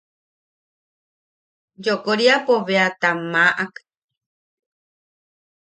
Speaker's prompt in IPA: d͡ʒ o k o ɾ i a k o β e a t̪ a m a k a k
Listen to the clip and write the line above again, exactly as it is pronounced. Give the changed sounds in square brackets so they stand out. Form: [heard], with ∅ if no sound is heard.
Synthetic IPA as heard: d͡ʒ o k o ɾ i a [p] o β e a t̪ a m a [ʔ] a k